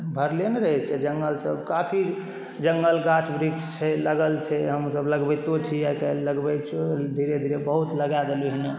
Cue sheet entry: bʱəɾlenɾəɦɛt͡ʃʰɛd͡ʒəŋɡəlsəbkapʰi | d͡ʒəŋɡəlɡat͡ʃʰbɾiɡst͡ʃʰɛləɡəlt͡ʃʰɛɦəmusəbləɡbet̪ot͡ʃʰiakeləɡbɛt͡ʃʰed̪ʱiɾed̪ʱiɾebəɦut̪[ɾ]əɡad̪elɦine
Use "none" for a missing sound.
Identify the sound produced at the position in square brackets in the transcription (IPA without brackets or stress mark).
l